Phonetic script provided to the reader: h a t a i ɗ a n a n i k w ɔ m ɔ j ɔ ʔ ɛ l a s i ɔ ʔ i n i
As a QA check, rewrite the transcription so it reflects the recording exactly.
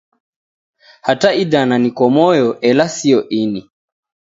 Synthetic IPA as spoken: h a t a i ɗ a n a n i k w ɔ m ɔ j ɔ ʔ ɛ l a s i ɔ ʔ i n i